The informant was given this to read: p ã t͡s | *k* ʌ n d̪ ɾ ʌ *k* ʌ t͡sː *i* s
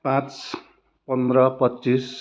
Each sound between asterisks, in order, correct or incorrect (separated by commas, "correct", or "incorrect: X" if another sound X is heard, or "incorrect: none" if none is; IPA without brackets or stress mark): incorrect: p, incorrect: p, correct